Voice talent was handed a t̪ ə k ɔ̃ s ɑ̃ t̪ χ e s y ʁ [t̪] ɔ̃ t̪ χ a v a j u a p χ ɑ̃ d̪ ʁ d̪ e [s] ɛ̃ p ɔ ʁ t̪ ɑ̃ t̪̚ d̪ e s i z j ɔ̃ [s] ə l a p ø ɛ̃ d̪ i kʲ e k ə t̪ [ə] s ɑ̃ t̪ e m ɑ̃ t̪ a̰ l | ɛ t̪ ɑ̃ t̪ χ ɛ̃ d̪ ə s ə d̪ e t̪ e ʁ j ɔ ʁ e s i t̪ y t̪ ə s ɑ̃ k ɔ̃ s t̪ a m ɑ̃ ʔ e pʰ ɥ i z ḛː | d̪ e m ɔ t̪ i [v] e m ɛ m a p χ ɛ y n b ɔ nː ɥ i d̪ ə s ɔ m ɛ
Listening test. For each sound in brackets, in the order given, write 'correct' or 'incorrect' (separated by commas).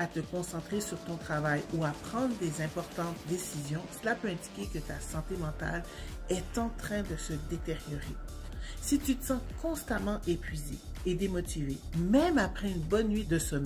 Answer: correct, incorrect, correct, incorrect, correct